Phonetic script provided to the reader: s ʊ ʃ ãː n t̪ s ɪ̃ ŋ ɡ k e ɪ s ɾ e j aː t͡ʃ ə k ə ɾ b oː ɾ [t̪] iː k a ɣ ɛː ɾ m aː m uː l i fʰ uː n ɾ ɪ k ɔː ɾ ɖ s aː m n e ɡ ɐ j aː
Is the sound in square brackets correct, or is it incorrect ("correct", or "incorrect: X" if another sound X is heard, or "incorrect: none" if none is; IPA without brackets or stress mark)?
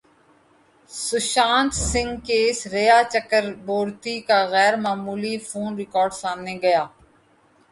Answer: correct